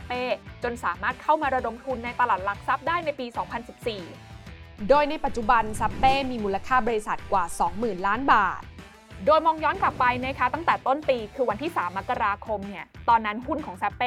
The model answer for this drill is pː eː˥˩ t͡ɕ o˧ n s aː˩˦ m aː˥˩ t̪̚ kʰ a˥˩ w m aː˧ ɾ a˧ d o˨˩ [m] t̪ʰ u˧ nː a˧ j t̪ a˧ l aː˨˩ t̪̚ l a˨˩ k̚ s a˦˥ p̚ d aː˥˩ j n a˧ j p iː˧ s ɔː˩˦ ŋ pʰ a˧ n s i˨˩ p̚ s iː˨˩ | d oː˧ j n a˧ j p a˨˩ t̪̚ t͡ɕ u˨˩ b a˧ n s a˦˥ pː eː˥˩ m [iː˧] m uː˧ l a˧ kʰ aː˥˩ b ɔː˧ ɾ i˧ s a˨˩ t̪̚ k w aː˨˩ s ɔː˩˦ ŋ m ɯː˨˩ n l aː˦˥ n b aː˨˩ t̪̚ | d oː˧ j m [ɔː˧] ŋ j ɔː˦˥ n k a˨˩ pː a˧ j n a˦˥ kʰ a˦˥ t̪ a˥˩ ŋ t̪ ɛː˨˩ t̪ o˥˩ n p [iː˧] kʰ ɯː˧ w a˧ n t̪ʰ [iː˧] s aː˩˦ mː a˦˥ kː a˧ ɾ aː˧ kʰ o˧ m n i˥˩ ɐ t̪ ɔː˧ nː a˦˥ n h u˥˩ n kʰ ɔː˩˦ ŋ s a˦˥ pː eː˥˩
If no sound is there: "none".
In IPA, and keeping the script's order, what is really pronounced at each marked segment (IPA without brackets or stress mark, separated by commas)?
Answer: m, iː˧, ɔː˧, iː˧, iː˥˩